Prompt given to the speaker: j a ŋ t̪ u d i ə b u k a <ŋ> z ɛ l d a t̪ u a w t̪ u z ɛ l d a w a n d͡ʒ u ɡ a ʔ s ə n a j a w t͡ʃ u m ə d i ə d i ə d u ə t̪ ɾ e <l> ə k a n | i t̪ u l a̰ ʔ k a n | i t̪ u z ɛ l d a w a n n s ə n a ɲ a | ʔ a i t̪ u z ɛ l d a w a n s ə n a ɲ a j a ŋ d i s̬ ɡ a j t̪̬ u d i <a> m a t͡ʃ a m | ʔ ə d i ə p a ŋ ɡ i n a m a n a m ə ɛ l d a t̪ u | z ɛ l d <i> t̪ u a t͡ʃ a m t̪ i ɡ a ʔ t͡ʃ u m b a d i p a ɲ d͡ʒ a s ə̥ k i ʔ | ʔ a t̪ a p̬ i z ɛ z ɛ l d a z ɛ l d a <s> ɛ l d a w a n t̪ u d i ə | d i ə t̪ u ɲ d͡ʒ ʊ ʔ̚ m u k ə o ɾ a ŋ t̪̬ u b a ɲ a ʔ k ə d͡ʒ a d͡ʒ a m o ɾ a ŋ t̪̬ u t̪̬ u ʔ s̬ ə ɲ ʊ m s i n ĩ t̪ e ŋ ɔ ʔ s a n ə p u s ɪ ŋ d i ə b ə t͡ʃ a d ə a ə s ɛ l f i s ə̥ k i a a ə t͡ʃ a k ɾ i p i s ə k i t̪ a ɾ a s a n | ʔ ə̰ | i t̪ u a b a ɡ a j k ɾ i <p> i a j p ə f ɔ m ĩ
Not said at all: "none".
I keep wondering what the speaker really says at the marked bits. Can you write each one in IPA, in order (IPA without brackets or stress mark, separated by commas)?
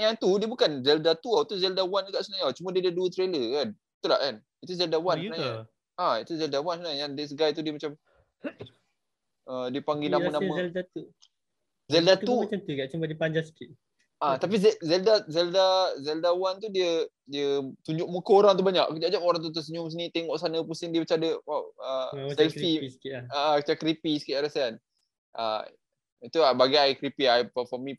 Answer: n, l, ə, a, z, p